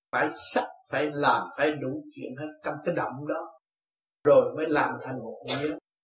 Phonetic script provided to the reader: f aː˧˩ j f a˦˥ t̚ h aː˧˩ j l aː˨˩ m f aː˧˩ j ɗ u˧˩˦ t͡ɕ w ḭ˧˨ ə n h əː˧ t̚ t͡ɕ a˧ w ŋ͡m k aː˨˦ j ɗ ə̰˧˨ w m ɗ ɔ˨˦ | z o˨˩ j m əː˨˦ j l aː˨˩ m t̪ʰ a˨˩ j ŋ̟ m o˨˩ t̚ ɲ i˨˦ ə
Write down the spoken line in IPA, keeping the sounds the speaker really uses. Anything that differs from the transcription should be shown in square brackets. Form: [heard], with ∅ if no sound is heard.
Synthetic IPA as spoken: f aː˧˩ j [s] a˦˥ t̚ [f] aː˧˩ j l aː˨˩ m f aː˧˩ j ɗ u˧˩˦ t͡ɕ w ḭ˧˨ ə n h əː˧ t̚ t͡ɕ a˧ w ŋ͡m k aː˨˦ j ɗ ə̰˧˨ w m ɗ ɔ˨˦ | z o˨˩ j m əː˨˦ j l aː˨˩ m t̪ʰ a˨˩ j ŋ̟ m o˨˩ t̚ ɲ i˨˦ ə